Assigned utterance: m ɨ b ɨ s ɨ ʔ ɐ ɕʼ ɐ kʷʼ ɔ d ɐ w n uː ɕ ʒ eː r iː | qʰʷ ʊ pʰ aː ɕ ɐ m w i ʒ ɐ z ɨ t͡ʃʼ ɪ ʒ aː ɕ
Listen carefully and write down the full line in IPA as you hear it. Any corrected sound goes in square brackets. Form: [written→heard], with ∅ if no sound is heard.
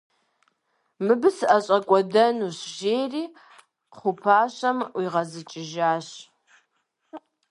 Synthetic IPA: m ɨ b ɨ s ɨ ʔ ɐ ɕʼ ɐ kʷʼ ɔ d ɐ [w→∅] n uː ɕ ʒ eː r iː | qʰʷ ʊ pʰ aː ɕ ɐ m w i [ʒ→ʁ] ɐ z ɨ t͡ʃʼ ɪ ʒ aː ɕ

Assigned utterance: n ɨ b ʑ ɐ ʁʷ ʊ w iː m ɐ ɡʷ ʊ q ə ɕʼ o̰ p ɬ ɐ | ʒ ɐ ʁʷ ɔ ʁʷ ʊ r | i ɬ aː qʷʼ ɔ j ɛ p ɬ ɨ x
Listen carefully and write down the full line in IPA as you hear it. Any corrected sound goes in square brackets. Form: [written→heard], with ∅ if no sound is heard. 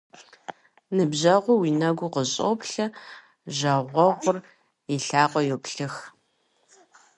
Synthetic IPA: n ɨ b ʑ ɐ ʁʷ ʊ w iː [m→n] ɐ ɡʷ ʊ q ə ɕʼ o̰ p ɬ ɐ | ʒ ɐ ʁʷ ɔ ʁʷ ʊ r | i ɬ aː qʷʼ ɔ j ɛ p ɬ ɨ x

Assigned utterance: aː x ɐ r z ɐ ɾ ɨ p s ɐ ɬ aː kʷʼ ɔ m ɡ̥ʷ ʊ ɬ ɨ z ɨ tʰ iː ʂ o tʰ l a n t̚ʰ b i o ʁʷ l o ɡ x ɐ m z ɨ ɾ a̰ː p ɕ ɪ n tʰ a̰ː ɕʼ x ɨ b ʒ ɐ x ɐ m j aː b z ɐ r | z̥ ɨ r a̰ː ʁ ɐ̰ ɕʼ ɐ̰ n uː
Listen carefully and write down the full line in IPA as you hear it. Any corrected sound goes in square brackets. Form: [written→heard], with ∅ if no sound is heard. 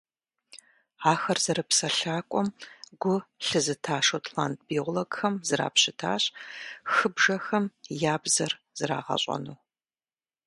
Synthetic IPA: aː x ɐ r z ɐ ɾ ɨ p s ɐ ɬ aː kʷʼ ɔ m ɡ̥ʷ ʊ ɬ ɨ z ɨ tʰ [iː→aː] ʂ o tʰ l a n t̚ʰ b i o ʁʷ l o ɡ x ɐ m z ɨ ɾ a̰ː p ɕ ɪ [n→∅] tʰ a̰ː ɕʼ x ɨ b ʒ ɐ x ɐ m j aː b z ɐ r | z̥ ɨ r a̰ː ʁ ɐ̰ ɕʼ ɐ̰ n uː

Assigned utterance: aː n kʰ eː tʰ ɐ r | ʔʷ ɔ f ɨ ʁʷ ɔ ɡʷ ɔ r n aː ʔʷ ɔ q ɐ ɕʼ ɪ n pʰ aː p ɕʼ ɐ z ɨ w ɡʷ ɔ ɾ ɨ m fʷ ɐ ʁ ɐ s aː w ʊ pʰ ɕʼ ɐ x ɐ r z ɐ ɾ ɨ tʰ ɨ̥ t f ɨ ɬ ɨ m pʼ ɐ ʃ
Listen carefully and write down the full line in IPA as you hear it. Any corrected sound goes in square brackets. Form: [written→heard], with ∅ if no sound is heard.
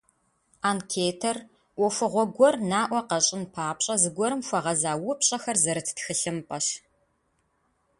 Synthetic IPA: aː n kʰ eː tʰ ɐ r | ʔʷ ɔ f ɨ ʁʷ ɔ ɡʷ ɔ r n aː ʔʷ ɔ q ɐ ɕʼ ɪ n pʰ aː p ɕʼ ɐ z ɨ [w→∅] ɡʷ ɔ ɾ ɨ m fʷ ɐ ʁ ɐ [s→z] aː w ʊ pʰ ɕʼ ɐ x ɐ r z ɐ ɾ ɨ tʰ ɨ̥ t [f→x] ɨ ɬ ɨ m pʼ ɐ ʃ

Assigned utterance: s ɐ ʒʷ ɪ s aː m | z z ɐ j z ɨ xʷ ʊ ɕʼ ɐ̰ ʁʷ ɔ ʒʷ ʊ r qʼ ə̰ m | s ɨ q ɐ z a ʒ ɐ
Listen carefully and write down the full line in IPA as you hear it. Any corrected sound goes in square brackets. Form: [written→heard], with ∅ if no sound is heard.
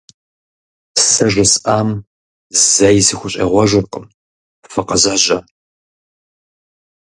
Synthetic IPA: s ɐ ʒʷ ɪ s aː m | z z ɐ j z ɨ xʷ ʊ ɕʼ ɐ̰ ʁʷ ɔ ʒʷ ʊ r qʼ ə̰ m | [s→f] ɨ q ɐ z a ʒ ɐ

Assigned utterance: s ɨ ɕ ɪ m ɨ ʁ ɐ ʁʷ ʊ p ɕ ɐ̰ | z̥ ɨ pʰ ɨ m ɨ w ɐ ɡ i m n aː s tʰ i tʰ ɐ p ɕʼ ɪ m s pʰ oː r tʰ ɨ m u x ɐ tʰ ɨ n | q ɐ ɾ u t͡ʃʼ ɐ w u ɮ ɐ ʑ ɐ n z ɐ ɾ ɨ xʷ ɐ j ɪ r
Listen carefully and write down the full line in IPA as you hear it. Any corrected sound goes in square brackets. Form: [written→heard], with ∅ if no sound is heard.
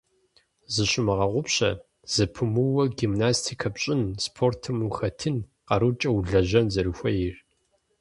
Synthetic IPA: [s→z] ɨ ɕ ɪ m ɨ ʁ ɐ ʁʷ ʊ p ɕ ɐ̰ | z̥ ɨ pʰ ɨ m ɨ w ɐ ɡ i m n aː s tʰ i [tʰ→kʰ] ɐ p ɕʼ ɪ [m→n] s pʰ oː r tʰ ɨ m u x ɐ tʰ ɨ n | q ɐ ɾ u t͡ʃʼ ɐ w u ɮ ɐ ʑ ɐ n z ɐ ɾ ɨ xʷ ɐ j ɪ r

